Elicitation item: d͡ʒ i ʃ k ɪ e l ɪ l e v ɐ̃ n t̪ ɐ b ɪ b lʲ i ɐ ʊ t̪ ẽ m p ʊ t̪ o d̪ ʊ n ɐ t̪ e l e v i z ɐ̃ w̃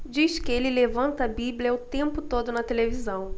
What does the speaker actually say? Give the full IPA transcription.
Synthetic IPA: d͡ʒ i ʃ k ɪ e l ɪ l e v ɐ̃ n t̪ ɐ b i b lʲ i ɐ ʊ t̪ ẽ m p ʊ t̪ o d̪ ʊ n ɐ t̪ e l e v i z ɐ̃ w̃